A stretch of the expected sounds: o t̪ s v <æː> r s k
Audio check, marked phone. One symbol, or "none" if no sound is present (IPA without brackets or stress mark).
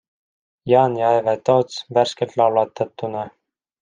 æ